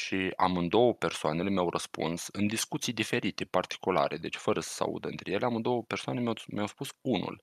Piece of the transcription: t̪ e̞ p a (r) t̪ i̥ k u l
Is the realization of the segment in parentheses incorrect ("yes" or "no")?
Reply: no